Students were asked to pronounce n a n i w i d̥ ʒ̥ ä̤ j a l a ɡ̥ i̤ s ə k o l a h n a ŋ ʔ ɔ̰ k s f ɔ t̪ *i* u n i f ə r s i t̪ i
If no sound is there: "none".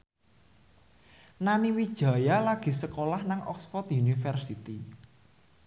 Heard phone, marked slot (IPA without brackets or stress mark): j